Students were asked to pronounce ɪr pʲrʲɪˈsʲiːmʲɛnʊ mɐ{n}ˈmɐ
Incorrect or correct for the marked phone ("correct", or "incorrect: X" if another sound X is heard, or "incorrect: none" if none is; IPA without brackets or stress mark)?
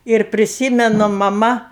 incorrect: none